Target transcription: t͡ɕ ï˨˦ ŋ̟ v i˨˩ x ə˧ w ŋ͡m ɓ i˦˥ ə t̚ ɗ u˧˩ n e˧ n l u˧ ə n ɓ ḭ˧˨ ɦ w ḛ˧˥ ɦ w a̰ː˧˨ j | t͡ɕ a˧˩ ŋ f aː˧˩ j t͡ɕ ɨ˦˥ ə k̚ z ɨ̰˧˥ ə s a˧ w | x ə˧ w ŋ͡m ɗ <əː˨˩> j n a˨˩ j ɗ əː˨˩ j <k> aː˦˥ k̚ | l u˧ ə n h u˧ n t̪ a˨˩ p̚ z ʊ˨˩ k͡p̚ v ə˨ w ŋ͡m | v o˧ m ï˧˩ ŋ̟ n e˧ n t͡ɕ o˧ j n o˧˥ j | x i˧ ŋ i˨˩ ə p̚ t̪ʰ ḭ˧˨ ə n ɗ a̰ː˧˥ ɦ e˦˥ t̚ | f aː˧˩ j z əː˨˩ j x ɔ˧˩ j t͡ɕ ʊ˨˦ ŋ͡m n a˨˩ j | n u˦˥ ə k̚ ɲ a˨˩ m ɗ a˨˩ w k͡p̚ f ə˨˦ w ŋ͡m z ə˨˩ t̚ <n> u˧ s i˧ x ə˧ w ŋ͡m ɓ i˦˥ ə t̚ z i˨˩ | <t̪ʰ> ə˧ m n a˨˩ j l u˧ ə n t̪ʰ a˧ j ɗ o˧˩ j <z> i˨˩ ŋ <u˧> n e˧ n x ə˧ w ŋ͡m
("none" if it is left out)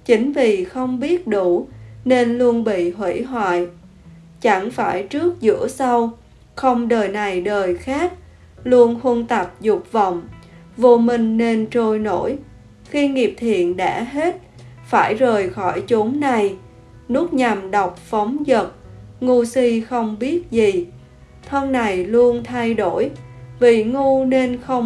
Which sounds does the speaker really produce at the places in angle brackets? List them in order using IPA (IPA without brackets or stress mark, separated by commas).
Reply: əː˨˩, x, ŋ, t̪ʰ, v, u˧